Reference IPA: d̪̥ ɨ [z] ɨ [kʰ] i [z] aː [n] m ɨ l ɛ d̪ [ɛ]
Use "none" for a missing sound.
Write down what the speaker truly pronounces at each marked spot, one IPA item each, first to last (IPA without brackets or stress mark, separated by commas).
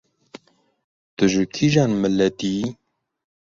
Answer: ʒ, kʰ, ʒ, n, i